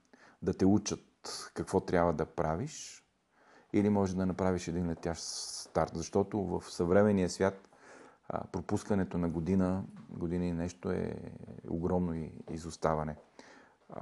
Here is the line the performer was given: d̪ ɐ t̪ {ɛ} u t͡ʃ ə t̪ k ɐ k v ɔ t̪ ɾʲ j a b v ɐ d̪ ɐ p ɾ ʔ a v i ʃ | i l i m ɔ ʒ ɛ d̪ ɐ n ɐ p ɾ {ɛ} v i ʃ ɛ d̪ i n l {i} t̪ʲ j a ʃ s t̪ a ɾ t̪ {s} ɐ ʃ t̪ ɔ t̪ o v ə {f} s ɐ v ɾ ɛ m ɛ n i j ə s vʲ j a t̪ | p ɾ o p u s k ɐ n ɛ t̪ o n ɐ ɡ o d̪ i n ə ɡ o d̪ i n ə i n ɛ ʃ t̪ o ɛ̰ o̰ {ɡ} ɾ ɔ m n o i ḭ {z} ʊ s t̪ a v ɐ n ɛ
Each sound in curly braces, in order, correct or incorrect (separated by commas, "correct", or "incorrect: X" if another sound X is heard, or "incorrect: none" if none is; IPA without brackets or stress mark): correct, incorrect: a, incorrect: ɛ, incorrect: z, correct, correct, correct